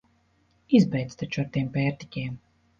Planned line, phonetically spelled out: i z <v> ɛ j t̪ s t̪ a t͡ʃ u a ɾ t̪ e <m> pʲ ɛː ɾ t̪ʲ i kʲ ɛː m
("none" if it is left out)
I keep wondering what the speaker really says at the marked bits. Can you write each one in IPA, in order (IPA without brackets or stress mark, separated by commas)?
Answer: b, m